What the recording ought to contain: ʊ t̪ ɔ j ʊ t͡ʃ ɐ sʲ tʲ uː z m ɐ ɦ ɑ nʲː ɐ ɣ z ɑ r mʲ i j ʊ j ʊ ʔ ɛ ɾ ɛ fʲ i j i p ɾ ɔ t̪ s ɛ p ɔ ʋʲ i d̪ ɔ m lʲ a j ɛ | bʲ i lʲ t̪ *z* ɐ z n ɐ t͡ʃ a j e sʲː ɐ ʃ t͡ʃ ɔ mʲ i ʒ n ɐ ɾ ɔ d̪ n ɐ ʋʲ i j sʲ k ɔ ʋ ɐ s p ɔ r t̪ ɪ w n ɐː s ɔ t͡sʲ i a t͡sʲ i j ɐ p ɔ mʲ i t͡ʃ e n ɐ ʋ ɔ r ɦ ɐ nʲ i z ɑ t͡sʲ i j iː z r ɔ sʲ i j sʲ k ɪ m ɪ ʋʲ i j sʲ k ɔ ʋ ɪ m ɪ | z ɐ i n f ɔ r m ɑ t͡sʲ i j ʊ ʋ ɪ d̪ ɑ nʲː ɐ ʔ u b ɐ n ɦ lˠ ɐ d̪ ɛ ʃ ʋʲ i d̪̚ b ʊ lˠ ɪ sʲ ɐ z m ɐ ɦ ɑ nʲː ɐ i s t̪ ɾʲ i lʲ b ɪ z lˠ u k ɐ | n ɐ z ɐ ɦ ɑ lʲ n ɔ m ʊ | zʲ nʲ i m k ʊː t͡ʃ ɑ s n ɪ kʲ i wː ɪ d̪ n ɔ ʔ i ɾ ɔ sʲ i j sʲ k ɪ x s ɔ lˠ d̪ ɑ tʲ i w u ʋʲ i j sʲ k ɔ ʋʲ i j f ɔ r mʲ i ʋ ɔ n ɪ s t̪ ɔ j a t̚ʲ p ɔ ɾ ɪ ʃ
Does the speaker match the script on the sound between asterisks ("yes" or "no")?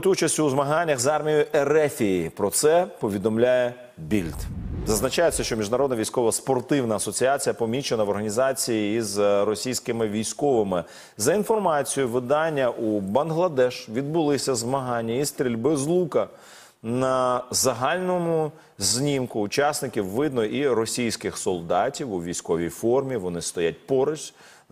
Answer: yes